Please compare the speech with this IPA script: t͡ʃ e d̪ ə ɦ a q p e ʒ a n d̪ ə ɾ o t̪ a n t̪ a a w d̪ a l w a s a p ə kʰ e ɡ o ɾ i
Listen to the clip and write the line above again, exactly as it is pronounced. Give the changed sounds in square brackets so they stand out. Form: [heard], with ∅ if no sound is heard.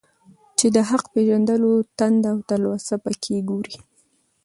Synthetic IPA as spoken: t͡ʃ e d̪ ə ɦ a q p e ʒ a n d̪ ə [l] o t̪ a n [d̪] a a w [t̪] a l w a s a p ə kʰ e ɡ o ɾ i